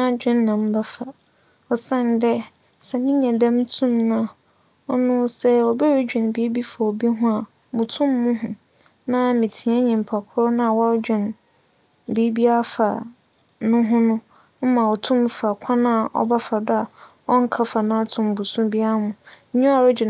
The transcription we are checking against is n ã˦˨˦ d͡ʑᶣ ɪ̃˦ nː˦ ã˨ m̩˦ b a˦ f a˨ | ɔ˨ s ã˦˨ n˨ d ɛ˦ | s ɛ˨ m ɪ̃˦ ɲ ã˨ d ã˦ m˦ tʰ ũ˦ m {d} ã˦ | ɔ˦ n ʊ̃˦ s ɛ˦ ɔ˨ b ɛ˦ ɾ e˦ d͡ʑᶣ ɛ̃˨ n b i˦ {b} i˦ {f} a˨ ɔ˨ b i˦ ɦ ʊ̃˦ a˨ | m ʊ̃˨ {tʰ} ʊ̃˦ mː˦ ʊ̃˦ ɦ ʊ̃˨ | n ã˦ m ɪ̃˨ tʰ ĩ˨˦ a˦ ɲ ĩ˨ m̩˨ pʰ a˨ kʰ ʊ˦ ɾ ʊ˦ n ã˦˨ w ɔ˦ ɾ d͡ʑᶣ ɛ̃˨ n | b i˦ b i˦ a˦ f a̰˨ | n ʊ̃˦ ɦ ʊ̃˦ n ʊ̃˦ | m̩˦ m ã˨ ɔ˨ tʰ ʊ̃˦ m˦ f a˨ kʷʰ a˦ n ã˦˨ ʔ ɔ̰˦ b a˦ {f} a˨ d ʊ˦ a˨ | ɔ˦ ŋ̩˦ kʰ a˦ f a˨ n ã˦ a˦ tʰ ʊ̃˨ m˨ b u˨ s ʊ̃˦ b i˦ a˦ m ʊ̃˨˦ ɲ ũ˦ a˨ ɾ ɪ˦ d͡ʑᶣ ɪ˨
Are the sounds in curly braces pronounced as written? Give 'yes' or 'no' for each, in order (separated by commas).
no, yes, yes, yes, yes